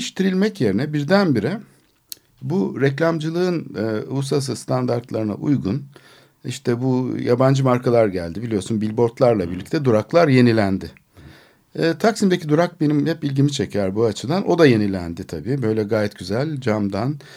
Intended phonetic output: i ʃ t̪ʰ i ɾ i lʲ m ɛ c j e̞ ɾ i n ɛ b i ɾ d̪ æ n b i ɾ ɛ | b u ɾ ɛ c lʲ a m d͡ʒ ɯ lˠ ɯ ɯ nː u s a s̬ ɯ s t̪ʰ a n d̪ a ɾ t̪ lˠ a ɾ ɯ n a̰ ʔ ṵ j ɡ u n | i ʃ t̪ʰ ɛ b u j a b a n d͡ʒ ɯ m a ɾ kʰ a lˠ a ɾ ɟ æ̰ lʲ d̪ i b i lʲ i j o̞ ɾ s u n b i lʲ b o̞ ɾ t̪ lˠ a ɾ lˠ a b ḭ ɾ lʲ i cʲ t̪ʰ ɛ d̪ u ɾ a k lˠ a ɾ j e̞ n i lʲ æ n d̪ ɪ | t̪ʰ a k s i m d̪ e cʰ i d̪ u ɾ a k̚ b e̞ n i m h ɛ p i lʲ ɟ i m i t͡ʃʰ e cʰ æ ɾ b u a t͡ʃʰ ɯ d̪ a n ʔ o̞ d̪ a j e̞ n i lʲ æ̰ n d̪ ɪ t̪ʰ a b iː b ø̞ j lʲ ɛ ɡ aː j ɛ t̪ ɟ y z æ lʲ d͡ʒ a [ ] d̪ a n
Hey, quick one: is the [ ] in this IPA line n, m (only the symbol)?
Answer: m